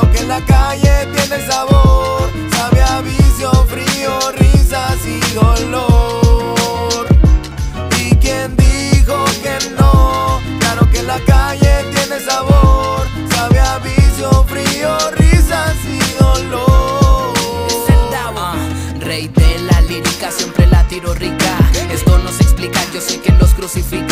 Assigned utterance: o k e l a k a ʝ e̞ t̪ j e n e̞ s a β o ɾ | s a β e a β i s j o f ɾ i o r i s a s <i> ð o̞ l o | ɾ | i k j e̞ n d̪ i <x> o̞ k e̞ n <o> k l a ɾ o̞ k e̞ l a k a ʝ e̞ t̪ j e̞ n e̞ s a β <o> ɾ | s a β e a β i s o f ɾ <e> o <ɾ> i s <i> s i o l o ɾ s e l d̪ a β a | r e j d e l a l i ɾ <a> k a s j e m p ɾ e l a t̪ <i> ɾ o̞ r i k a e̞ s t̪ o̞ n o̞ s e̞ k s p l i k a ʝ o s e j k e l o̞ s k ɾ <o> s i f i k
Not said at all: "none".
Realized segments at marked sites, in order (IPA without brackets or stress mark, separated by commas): i, x, o, o, i, r, a, i, i, u